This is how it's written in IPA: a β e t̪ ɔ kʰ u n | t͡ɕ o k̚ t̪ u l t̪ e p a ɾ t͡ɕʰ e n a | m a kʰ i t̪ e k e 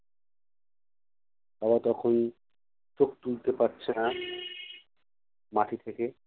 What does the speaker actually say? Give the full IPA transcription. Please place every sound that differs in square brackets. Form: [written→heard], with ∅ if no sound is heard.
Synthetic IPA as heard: a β [e→a] t̪ ɔ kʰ [u→o] n | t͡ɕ o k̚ t̪ u l t̪ e p a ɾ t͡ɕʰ e n a | m a [kʰ→ʈʰ] i [t̪→t̪ʰ] e k e